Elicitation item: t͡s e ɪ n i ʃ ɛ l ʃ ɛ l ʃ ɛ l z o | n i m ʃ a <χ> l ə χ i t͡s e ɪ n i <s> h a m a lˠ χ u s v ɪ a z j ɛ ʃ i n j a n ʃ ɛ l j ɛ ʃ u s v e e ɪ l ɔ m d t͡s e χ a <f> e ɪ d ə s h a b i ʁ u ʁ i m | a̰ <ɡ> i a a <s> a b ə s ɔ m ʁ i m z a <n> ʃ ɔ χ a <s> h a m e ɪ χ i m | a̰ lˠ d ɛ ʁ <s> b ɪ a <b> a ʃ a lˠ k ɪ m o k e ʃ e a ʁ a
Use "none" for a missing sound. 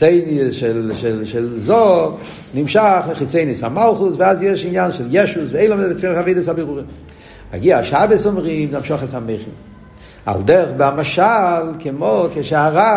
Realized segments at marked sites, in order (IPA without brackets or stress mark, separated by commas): χ, s, v, ɡ, ʃ, m, s, χ, m